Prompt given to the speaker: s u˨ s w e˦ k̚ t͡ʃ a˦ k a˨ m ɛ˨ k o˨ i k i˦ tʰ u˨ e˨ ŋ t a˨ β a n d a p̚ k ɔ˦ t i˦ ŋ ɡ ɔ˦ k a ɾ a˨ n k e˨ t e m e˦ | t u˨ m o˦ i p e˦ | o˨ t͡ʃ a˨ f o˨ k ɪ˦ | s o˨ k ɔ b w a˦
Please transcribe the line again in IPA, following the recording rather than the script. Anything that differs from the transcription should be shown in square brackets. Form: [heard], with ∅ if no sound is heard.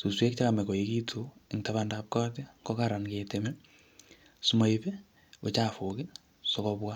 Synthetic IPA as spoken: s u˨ s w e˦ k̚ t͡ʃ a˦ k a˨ m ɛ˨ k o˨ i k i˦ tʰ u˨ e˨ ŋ t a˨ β a n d a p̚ k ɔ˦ t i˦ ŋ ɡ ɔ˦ k a ɾ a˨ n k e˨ t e m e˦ | [s] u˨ m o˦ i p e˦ | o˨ t͡ʃ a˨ f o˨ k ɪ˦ | s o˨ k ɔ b w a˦